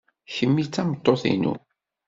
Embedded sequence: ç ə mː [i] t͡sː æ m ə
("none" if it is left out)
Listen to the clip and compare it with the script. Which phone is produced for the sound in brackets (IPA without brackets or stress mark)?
i